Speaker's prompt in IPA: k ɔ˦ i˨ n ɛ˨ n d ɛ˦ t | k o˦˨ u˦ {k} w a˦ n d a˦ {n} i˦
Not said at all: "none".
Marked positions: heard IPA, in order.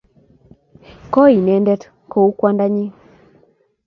k, ɲ

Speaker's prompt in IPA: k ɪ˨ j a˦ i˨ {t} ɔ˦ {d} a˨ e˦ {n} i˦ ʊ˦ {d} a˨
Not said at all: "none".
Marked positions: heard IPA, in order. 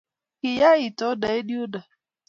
t, d, d, d

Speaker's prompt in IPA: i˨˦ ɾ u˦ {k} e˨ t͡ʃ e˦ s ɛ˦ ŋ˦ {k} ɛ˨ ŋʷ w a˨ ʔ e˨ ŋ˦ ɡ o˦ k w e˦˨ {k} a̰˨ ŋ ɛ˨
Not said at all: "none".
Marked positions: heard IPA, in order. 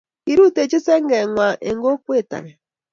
t, ɡ, t

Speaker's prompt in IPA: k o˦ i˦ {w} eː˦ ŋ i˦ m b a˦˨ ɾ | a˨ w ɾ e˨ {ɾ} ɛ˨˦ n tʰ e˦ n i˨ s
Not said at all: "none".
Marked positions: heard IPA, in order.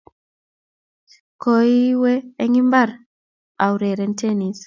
w, ɾ

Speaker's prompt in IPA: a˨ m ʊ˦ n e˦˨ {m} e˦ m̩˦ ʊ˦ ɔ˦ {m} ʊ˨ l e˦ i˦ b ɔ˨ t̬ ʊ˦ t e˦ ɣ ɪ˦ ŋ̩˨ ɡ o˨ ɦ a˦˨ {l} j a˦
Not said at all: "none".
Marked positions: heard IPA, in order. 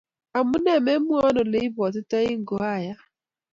m, n, none

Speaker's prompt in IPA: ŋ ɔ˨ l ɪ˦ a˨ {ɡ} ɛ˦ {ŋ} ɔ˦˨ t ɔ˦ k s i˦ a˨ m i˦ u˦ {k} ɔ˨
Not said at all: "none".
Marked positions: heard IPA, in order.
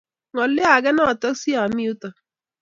ɡ, n, t

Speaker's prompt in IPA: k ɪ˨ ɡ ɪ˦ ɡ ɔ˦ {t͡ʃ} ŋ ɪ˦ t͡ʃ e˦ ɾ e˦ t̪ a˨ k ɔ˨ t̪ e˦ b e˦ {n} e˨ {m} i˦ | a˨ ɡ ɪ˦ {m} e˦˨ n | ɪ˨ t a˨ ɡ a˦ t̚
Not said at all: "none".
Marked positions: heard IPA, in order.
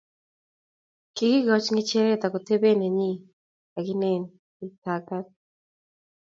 t͡ʃ, n, ɲ, n

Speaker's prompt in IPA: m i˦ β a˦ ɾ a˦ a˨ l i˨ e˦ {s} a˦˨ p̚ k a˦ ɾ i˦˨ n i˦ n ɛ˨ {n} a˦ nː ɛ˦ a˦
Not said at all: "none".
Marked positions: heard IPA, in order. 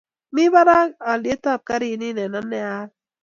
t, n

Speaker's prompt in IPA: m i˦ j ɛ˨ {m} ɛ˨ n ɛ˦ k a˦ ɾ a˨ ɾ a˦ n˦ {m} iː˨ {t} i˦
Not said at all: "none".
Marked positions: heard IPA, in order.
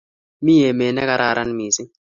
m, m, s

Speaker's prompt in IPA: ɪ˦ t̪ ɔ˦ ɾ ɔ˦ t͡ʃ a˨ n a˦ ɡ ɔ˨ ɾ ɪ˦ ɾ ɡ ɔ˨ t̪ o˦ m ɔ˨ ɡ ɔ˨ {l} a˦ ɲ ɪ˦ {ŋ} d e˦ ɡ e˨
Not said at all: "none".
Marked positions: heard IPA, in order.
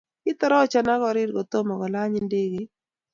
l, n

